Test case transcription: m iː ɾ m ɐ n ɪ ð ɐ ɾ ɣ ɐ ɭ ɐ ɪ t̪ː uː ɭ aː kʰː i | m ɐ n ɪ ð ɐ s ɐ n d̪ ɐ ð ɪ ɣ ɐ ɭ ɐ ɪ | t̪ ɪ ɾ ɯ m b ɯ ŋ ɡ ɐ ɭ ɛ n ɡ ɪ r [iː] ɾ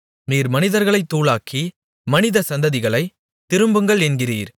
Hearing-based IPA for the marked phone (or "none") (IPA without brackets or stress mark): iː